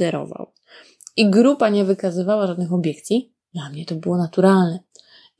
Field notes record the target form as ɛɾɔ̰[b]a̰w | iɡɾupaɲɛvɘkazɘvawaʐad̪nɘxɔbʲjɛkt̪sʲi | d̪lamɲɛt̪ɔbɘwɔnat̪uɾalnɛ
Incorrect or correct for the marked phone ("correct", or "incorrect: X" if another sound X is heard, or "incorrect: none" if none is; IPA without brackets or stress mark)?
incorrect: v